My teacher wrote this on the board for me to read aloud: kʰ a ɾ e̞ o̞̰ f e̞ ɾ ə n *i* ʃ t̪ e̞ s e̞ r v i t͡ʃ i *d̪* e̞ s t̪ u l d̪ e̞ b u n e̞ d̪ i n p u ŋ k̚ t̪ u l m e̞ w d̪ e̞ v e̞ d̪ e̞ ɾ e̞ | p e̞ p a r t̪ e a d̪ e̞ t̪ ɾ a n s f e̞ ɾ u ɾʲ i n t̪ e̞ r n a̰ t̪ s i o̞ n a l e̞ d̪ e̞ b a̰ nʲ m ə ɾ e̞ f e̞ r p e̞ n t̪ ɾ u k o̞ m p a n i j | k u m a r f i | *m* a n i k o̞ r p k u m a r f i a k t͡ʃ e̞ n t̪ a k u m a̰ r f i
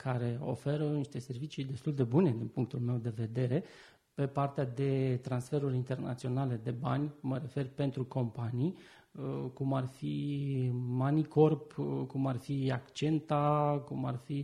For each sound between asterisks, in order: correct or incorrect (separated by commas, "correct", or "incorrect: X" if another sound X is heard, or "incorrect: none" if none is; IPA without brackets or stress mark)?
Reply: correct, correct, correct